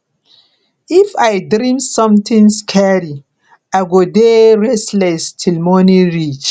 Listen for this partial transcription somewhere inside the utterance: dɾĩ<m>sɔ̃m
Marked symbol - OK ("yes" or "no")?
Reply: yes